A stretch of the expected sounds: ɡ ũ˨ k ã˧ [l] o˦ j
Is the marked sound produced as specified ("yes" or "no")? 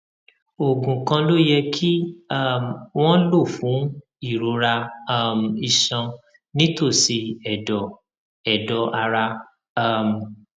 yes